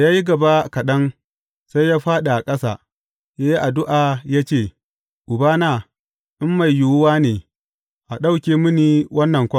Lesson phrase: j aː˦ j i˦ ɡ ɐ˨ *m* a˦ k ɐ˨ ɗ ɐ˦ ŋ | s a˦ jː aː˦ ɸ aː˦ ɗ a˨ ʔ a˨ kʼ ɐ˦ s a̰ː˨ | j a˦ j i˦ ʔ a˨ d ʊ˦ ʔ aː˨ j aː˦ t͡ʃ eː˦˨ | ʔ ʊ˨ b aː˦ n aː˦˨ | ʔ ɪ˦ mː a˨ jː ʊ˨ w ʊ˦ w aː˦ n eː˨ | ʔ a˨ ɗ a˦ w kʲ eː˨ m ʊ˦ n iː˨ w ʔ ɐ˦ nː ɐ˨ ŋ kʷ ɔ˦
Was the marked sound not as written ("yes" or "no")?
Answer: yes